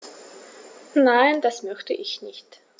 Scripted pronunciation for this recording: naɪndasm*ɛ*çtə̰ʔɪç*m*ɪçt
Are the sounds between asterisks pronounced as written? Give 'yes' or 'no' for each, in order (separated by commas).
no, no